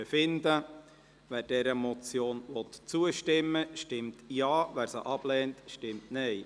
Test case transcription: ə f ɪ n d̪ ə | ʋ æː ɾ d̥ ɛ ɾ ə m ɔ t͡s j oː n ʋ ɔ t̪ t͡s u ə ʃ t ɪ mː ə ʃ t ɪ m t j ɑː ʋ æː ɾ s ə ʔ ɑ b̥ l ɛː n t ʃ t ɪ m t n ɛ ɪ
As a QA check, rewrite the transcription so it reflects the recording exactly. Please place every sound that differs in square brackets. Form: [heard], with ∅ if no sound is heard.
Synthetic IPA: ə f ɪ n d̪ ə | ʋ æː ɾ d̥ ɛ ɾ ə m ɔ t͡s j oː n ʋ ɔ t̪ t͡s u ə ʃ t ɪ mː ə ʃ t ɪ m t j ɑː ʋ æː ɾ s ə ʔ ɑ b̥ l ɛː n t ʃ t ɪ m t n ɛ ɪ